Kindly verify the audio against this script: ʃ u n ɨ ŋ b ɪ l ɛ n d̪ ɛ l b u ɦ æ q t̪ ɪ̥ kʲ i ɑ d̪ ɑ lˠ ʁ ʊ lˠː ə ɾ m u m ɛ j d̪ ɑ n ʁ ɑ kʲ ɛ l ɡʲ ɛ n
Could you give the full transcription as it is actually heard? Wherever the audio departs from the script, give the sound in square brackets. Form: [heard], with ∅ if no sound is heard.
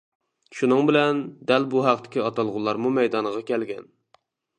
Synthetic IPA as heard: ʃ u n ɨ ŋ b ɪ l ɛ n d̪ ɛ l b u ɦ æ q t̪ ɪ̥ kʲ i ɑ [t̪] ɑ lˠ ʁ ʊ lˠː [ɑ] ɾ m u m ɛ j d̪ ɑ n ʁ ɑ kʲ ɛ l ɡʲ ɛ n